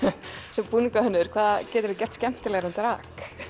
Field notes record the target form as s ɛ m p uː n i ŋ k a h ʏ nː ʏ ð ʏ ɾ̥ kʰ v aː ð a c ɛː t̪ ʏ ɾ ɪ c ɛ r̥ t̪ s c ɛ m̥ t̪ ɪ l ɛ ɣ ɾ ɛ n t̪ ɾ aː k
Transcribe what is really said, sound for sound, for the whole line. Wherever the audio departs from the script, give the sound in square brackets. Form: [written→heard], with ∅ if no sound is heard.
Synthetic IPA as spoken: s ɛ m p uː n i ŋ k a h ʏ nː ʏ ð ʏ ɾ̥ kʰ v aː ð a c ɛː t̪ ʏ ɾ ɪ c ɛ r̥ t̪ s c ɛ m̥ t̪ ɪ l ɛ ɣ ɾ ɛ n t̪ ɾ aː k